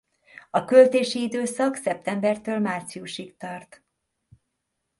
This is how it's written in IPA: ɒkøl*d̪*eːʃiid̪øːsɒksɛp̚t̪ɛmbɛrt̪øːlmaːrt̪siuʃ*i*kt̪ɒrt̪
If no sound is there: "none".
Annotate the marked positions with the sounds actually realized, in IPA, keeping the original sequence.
t̪, i

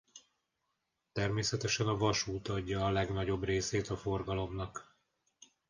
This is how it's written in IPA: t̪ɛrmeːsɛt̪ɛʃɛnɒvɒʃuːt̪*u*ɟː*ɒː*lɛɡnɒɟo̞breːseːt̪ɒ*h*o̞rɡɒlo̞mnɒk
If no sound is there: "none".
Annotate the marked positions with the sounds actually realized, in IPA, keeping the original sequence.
ɒ, ɒː, f

